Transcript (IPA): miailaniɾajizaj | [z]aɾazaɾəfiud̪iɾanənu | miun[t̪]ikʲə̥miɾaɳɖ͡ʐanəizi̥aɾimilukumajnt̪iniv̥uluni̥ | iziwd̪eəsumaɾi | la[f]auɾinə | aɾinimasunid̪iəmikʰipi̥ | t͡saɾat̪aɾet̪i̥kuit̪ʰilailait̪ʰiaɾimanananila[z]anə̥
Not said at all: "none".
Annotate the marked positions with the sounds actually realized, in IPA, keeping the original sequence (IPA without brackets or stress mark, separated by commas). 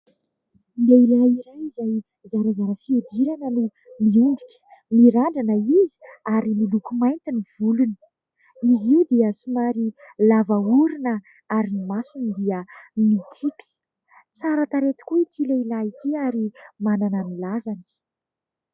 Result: z, d̪, v, z